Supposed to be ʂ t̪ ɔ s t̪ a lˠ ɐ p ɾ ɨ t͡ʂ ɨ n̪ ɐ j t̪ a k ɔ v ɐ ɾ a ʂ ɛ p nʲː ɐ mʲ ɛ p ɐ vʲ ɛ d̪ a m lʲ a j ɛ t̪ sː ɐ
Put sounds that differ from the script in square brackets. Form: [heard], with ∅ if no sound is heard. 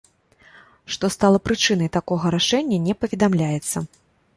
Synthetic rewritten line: ʂ t̪ ɔ s t̪ a lˠ ɐ p ɾ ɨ t͡ʂ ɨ n̪ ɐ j t̪ a k ɔ [ɣ] ɐ ɾ a ʂ ɛ [∅] nʲː ɐ [nʲ] ɛ p ɐ vʲ ɛ d̪ a m lʲ a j ɛ t̪ sː ɐ